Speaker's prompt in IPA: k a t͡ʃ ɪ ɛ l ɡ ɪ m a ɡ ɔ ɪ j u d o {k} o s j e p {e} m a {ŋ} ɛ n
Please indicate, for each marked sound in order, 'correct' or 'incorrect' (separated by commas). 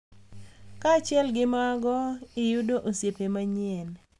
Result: incorrect, correct, incorrect